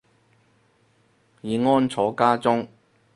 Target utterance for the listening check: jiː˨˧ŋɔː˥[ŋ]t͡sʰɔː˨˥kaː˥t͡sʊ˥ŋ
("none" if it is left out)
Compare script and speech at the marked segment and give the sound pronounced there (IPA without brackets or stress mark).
n